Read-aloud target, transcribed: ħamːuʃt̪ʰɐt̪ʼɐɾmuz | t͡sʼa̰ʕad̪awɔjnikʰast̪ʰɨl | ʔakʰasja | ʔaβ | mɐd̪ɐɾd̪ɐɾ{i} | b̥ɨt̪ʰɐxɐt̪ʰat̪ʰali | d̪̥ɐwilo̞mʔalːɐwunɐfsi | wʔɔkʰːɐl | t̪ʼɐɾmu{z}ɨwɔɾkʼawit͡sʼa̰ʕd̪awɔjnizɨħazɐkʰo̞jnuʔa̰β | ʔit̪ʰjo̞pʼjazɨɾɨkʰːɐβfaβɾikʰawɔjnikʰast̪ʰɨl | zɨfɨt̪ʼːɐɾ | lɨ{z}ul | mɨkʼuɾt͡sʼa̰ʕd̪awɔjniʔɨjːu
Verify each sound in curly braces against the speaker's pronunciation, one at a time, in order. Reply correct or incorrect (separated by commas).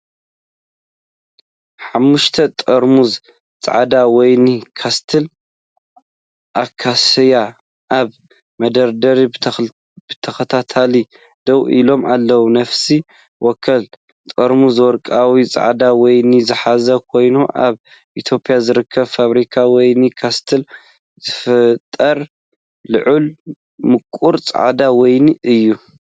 correct, correct, incorrect